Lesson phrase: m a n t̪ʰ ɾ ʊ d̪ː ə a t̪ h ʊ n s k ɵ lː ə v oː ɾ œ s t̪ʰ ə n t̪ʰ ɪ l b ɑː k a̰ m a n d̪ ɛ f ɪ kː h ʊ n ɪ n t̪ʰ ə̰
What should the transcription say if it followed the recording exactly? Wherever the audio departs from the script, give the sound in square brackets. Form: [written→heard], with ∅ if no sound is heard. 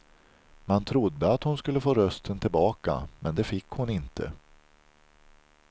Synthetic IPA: m a n t̪ʰ ɾ ʊ d̪ː ə a t̪ h ʊ n s k ɵ lː ə [v→f] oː ɾ œ s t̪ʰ ə n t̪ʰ ɪ l b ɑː k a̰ m [a→ɛ] n d̪ ɛ f ɪ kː h ʊ n ɪ n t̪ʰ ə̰